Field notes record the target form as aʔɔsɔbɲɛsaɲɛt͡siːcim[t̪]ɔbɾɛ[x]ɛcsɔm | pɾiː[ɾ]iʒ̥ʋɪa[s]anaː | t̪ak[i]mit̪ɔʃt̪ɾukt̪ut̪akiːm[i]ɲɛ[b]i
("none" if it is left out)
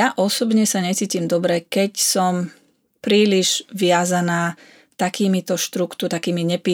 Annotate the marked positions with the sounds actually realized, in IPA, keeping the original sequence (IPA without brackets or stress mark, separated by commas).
d̪, k, l, z, iː, i, p